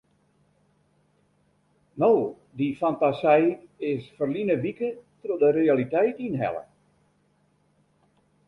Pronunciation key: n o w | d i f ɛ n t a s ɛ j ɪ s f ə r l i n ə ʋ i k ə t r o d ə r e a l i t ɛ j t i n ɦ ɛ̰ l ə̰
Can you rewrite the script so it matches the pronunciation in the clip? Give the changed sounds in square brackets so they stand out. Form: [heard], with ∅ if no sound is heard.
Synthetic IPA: n o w | d i f [a] n t a s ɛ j ɪ s f ə r l i n ə ʋ i k ə t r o d ə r e a l i t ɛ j t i n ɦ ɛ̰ l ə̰